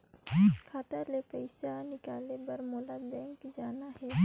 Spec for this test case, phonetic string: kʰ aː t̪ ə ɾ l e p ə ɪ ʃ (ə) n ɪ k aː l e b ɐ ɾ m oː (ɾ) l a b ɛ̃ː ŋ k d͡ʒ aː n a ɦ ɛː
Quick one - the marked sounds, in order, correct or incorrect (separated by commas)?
incorrect, incorrect